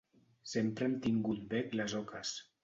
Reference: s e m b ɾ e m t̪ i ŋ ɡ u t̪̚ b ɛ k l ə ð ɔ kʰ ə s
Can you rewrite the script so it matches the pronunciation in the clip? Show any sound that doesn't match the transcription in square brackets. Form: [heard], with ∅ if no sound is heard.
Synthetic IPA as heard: s e m [p] ɾ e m t̪ i ŋ ɡ u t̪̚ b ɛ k l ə [z] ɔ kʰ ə s